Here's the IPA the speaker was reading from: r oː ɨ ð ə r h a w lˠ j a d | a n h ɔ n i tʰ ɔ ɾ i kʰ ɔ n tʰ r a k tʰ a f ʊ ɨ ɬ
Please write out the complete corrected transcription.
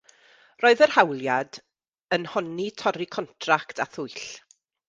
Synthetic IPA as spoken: r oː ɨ ð ə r h a w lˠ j a d | ə n h ɔ n i tʰ ɔ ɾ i kʰ ɔ n tʰ r a k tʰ a θ ʊ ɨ ɬ